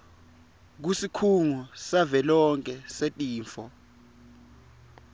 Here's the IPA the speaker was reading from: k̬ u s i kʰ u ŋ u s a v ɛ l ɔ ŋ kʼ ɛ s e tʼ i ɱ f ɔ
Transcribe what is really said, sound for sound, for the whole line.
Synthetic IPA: k̬ u s i kʰ u ŋ u s a v ɛ l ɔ ŋ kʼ ɛ s e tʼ iː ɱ f ɔ